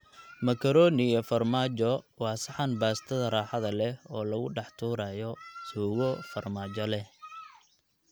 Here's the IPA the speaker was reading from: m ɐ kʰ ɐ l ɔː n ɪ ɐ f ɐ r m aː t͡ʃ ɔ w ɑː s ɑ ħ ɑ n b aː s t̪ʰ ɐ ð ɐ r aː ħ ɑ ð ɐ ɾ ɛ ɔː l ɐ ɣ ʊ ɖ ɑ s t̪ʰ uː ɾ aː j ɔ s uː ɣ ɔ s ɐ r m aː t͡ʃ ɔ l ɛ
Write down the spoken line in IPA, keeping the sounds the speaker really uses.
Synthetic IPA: m ɐ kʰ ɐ ɾ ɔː n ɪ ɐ f ɐ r m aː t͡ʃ ɔ w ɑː s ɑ ħ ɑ n b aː s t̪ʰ ɐ ð ɐ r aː ħ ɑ ð ɐ l ɛ ɔː l ɐ ɣ ʊ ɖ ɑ ħ t̪ʰ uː ɾ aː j ɔ s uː ɣ ɔ f ɐ r m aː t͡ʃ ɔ l ɛ